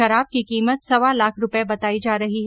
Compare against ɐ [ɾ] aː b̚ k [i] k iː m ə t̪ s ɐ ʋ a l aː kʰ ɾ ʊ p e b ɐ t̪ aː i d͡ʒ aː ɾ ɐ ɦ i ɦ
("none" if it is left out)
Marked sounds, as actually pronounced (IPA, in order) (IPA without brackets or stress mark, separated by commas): ɾ, i